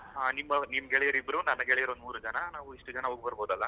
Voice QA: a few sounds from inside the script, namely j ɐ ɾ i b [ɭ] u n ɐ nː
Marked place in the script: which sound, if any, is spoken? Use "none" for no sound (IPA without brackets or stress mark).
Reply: ɾ